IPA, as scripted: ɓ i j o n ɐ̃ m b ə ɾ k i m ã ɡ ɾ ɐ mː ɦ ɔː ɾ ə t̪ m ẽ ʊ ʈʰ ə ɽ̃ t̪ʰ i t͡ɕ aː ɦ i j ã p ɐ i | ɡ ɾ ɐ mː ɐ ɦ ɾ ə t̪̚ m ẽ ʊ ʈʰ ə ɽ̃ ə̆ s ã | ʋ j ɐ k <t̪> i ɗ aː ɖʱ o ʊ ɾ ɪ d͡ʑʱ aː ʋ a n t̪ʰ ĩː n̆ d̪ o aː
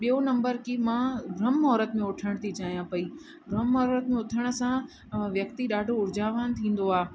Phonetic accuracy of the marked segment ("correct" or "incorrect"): correct